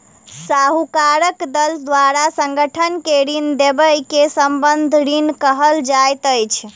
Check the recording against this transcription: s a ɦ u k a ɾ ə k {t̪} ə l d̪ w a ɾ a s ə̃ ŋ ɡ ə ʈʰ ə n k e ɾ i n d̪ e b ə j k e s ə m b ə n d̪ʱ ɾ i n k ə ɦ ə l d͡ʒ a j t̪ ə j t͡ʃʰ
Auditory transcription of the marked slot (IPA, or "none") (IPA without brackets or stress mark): d̪